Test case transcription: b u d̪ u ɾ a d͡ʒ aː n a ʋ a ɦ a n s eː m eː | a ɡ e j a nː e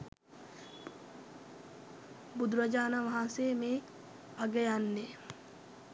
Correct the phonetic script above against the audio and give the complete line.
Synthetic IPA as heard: b u d̪ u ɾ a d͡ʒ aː n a ʋ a ɦ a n s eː m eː | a ɡ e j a nː e